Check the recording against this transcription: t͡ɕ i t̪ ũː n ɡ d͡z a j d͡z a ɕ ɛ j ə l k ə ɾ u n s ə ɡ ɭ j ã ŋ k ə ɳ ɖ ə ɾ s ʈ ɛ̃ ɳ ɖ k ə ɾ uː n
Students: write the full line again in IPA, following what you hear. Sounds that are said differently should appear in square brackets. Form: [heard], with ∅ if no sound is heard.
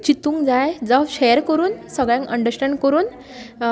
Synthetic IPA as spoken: t͡ɕ i t̪ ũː [ŋ] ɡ d͡z a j d͡z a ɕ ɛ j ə [ɾ] k ə ɾ [uː] n s ə ɡ ɭ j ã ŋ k ə ɳ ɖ ə ɾ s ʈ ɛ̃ ɳ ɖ k ə ɾ uː n